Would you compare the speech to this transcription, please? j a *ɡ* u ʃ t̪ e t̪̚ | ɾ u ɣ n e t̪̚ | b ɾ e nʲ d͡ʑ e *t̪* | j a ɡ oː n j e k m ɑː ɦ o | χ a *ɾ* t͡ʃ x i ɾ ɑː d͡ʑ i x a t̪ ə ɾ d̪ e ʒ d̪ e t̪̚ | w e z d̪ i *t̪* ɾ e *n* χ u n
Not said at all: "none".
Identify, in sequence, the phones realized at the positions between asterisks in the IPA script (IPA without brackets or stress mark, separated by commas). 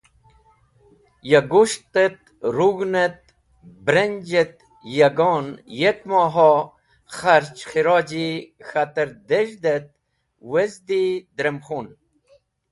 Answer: ɡ, t̪, ɾ, d̪, m